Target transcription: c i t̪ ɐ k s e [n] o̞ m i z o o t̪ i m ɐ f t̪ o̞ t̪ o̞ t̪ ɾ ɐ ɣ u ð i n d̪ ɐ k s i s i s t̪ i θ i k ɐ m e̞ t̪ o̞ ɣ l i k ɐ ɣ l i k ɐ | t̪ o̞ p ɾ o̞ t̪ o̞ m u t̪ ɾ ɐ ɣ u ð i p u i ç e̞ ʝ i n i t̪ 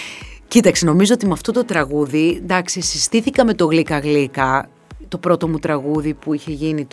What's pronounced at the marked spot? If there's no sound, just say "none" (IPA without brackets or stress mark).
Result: n